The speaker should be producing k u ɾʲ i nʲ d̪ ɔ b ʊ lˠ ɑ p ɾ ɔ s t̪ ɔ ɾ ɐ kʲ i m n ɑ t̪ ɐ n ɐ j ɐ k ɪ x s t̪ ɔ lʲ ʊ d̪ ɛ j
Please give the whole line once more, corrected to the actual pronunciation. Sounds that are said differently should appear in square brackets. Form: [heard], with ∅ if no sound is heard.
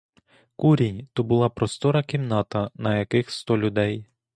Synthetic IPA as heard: k u ɾʲ i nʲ [t̪] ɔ b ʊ lˠ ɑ p ɾ ɔ s t̪ ɔ ɾ ɐ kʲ i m n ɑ t̪ ɐ n ɐ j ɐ k ɪ x s t̪ ɔ lʲ ʊ d̪ ɛ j